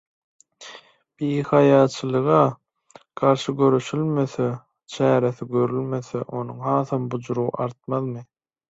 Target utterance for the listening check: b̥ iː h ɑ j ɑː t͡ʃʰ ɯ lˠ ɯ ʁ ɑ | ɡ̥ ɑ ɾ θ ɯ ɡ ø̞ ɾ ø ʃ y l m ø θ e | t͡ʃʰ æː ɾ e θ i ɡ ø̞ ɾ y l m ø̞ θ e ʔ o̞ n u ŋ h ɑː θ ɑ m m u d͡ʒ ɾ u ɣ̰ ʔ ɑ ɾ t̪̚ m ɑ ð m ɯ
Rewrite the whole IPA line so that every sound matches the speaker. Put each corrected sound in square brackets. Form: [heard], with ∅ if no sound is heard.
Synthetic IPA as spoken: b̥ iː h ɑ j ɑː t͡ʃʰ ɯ lˠ ɯ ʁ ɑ | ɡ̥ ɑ ɾ [ʃ] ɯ ɡ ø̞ ɾ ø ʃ y l m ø θ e | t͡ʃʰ æː ɾ e θ i ɡ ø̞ ɾ y l m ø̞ θ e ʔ o̞ n u ŋ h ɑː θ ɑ m [b] u d͡ʒ ɾ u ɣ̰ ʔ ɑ ɾ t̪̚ m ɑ ð m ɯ